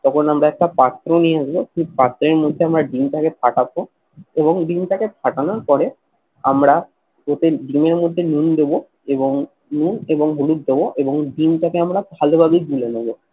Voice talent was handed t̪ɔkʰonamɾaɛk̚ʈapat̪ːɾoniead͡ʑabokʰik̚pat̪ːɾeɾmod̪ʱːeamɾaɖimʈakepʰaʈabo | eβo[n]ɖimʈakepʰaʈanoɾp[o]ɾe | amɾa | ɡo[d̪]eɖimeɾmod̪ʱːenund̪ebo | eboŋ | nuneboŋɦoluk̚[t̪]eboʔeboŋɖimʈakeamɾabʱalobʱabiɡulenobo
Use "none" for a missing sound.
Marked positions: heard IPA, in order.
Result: ŋ, ɔ, t̪, d̪

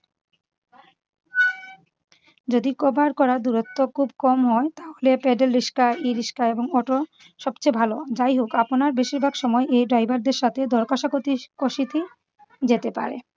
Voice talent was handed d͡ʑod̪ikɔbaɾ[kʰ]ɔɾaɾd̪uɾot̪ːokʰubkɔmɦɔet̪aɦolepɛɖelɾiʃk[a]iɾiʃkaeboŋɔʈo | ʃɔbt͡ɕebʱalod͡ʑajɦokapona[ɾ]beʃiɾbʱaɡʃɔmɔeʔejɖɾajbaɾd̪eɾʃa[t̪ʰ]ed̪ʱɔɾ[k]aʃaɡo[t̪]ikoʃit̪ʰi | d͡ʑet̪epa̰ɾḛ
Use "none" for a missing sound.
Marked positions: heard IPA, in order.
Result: k, a, ɾ, t̪ʰ, k, t̪

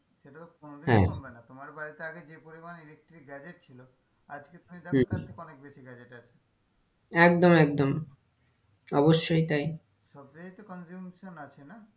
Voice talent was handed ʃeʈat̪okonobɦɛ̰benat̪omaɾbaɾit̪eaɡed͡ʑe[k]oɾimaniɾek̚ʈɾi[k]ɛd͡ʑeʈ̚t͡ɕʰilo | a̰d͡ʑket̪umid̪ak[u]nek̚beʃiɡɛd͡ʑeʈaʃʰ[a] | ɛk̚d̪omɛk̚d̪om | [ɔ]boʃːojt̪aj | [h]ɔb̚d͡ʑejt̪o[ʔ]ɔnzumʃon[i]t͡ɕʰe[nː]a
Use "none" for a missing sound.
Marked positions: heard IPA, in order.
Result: p, ɡ, ɔ, e, ɔ, ʃ, k, a, n

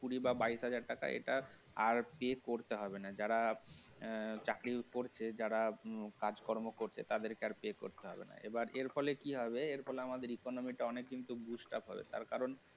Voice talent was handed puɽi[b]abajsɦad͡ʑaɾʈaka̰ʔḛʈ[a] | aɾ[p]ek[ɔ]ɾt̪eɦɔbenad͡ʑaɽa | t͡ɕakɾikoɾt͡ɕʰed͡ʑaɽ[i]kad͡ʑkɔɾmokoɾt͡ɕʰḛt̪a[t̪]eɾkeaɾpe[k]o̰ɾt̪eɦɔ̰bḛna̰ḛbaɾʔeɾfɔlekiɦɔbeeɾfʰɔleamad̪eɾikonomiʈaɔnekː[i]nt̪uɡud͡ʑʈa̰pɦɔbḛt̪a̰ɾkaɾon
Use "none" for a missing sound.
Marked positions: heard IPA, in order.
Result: b, a, p, o, a, d̪, k, i

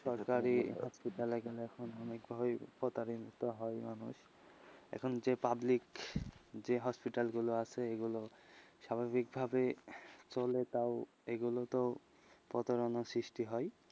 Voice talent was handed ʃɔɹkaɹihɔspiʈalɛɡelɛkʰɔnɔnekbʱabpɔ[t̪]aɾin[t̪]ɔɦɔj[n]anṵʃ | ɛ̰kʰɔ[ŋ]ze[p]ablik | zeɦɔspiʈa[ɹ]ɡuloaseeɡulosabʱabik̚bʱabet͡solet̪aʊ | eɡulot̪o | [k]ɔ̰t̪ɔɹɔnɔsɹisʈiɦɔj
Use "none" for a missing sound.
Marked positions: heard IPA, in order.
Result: t̪, t̪, m, n, p, l, p

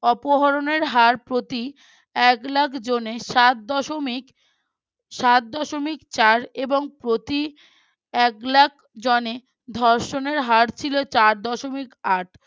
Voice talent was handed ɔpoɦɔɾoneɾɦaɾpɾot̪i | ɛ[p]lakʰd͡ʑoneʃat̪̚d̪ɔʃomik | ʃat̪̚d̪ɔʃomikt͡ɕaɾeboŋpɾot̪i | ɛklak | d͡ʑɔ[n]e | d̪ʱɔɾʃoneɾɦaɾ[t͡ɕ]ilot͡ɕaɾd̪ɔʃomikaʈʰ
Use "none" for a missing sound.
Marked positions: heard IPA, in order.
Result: k, n, t͡ɕʰ

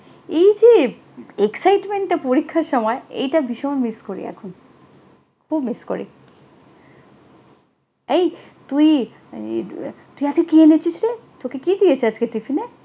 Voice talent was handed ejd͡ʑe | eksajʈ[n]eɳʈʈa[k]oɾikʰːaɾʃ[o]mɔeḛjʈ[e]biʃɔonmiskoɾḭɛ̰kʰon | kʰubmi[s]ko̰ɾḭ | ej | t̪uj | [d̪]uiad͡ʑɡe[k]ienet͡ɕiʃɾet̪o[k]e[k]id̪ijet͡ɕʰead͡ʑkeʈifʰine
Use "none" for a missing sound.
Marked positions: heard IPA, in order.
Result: m, p, ɔ, a, s, t̪, k, k, k

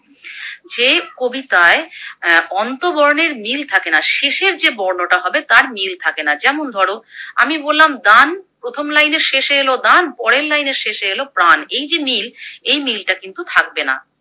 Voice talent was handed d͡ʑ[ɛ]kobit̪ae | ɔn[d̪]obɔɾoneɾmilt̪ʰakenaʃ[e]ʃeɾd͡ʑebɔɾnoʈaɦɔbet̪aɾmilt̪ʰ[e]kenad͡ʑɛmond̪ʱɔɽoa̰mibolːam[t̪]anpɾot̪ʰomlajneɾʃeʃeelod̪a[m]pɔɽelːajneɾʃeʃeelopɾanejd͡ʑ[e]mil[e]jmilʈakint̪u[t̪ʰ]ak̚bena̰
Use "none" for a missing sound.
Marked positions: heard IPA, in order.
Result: e, t̪, e, a, d̪, n, e, e, t̪ʰ

